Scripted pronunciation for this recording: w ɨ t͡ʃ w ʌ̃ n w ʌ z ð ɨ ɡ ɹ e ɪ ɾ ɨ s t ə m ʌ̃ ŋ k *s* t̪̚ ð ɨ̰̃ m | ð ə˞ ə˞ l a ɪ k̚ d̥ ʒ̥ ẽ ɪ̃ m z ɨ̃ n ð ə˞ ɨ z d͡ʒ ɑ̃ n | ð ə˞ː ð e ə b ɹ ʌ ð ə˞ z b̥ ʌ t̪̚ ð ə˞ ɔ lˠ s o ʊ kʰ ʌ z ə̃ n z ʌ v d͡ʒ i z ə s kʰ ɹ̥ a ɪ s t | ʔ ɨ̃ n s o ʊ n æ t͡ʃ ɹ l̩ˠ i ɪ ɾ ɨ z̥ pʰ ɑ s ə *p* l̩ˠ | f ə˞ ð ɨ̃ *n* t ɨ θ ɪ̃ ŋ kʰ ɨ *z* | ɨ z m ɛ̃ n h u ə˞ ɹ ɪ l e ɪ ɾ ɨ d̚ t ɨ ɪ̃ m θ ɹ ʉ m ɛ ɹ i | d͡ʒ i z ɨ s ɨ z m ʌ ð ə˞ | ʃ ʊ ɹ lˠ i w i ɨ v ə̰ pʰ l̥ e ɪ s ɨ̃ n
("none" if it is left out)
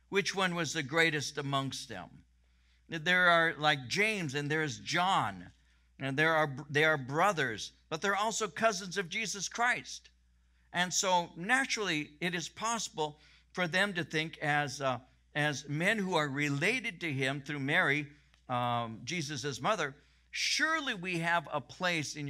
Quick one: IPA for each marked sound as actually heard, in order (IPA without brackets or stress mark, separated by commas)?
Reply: s, b, m, z